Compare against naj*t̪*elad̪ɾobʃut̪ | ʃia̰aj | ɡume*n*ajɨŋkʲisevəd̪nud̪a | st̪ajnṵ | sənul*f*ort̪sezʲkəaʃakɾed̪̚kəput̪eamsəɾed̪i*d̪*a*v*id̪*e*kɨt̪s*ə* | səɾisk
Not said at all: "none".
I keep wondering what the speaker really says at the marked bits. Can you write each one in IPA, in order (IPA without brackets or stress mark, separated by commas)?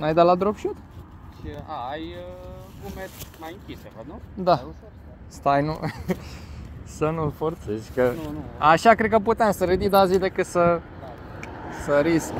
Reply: d̪, m, f, d̪, z, e, ə